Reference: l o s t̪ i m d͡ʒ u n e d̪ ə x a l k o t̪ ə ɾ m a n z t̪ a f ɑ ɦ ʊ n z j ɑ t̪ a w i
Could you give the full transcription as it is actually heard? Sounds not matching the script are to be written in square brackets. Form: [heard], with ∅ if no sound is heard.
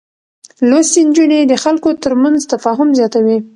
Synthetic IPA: l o s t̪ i [n] d͡ʒ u n e d̪ ə x a l k o t̪ ə ɾ m a n z t̪ a f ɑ ɦ ʊ [m] z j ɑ t̪ a w i